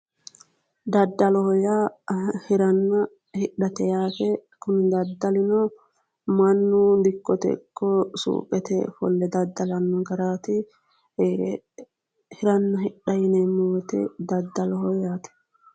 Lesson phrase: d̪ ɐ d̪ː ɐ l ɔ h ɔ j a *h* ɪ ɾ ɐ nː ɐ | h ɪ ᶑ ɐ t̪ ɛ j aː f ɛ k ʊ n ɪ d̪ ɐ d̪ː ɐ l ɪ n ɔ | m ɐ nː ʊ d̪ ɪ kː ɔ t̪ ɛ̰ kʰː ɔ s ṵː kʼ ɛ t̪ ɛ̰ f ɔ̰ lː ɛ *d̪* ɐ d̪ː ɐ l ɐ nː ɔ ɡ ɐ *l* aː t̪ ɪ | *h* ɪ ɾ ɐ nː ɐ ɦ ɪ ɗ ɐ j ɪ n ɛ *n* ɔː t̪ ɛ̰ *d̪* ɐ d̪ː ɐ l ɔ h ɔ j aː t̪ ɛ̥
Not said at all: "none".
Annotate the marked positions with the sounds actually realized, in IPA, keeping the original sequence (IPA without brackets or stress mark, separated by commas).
h, d̪, ɾ, h, m, d̪